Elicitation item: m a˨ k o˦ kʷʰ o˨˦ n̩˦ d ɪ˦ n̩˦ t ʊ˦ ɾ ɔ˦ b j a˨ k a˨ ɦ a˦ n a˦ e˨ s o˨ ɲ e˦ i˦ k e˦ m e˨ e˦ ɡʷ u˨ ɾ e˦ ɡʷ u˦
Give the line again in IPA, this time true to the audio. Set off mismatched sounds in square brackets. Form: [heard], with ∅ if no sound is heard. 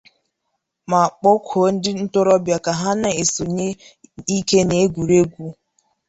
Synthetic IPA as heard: m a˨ [k͡p] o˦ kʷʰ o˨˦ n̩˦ d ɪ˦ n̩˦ t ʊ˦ ɾ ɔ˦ b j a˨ k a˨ ɦ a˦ n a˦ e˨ s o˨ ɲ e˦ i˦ k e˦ [n] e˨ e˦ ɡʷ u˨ ɾ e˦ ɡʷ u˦

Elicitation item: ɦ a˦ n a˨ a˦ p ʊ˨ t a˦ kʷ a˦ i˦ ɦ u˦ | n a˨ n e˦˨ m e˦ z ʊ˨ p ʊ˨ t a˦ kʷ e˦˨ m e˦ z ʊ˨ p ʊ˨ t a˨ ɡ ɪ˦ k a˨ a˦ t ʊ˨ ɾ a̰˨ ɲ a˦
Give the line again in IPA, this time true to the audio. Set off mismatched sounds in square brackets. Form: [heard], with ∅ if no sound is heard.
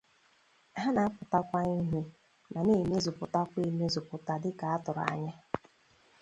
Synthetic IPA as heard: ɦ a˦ n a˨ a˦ p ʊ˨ t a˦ kʷ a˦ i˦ ɦ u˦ | n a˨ n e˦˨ m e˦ z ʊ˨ p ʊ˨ t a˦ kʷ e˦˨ m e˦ z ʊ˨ p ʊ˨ t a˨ [d] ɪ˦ k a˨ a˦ t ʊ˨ ɾ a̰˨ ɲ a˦

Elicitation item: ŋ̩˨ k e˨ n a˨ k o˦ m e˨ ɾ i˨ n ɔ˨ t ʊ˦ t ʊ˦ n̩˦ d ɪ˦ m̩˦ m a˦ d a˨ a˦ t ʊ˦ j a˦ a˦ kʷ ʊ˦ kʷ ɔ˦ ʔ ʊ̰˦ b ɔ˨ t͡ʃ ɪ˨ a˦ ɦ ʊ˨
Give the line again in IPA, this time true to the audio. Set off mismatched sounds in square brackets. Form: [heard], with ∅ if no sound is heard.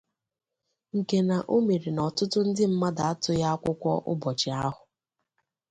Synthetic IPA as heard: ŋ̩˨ k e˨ n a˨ [ʔ] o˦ m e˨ ɾ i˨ n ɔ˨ t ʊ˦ t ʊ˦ n̩˦ d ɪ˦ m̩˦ m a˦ d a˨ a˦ t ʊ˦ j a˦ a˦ kʷ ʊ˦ kʷ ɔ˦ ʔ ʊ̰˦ b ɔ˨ t͡ʃ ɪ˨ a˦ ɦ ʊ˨

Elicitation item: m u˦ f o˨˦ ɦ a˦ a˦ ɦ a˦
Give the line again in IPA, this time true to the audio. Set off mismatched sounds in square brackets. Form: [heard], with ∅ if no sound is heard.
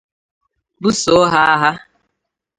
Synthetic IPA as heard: [b] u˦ [s] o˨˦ ɦ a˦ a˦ ɦ a˦

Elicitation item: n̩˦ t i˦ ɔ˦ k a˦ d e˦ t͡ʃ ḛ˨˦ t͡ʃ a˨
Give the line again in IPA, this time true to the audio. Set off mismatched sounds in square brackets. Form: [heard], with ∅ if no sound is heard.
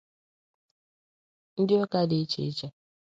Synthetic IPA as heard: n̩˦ [d] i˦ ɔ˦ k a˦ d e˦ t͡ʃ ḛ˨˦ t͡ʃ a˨

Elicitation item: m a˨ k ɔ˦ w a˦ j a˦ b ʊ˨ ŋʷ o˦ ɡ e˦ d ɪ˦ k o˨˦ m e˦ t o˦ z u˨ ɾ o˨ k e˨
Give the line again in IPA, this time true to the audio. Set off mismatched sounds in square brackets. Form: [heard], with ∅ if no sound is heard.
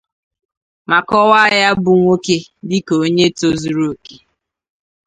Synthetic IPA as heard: m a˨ k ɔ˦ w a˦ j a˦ b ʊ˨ ŋʷ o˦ [k] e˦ d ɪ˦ k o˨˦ [ɲ] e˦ t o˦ z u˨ ɾ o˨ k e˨

